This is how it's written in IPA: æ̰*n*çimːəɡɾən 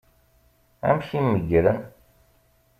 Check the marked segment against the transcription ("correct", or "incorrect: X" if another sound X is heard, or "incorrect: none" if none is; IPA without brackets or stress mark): incorrect: m